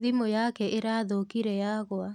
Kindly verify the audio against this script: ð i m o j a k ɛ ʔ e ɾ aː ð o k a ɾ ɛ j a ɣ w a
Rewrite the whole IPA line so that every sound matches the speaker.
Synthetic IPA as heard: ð i m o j a k ɛ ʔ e ɾ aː ð o k i ɾ ɛ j a ɣ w a